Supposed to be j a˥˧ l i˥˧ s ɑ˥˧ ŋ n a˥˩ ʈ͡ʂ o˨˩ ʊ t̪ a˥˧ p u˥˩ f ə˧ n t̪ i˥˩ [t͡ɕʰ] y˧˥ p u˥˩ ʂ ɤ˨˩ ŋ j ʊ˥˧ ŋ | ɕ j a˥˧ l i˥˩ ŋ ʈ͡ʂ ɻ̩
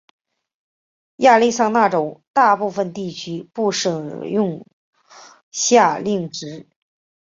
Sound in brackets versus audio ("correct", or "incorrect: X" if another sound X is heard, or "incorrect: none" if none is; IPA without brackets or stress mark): correct